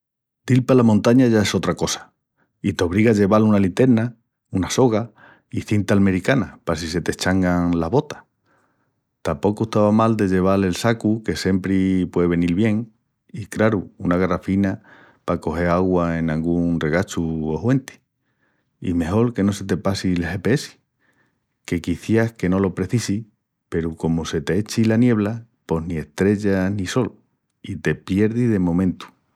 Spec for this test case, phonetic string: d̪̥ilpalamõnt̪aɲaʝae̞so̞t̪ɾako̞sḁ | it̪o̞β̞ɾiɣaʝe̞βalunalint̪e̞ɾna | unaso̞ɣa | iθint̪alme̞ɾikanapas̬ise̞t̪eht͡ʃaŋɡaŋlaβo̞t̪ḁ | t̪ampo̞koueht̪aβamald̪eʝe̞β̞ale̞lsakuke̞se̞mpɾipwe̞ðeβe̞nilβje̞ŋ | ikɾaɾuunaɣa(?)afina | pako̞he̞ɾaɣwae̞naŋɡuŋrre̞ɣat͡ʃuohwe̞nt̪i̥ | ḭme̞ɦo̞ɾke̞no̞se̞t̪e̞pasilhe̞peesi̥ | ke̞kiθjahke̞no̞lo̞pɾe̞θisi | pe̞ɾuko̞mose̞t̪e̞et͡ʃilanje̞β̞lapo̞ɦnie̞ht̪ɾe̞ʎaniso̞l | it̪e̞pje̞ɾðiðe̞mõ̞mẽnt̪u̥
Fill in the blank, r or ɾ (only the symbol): r